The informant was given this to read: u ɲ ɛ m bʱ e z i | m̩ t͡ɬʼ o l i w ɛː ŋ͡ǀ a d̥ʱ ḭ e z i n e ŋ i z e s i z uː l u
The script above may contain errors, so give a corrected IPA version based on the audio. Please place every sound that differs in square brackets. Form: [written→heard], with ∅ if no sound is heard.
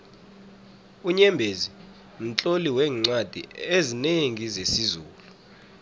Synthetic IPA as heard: u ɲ ɛ m bʱ e z i | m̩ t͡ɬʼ o l i w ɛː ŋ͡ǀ a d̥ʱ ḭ e z i n e ŋ i z e s i z uː l u